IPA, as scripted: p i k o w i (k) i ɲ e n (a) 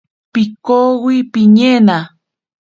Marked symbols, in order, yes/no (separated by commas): no, yes